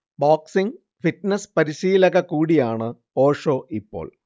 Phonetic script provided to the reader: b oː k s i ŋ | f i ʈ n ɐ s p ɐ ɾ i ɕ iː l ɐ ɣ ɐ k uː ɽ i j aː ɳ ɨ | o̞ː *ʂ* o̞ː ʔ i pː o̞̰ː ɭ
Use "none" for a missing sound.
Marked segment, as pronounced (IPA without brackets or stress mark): ʂ